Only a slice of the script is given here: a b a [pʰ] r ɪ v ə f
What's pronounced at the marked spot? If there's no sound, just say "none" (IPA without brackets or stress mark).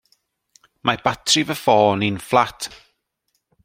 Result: tʰ